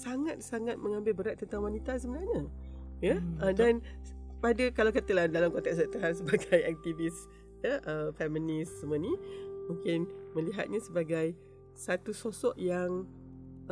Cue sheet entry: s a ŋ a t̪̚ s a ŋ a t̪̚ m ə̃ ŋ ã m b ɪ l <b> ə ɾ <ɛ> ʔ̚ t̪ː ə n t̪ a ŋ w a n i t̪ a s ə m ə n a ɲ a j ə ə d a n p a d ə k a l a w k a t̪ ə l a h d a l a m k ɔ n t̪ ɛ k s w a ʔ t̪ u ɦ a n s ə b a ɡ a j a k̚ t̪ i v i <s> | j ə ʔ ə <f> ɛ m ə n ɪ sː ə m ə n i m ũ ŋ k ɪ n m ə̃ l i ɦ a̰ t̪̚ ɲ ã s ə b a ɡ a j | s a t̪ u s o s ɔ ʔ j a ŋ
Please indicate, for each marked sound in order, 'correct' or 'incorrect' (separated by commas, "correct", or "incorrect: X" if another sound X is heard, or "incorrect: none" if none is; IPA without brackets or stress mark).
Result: correct, incorrect: a, correct, correct